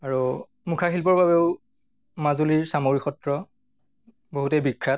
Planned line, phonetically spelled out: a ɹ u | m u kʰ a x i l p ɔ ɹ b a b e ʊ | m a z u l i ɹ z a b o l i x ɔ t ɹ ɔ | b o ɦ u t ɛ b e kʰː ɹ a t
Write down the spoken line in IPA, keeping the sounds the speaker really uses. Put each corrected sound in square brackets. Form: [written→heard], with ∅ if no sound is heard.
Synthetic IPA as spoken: a ɹ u | m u kʰ a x i l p ɔ ɹ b a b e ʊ | m a z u l i ɹ [z→s] a [b→m] o [l→ɹ] i x ɔ t ɹ ɔ | b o ɦ u t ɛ b [e→i] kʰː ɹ a t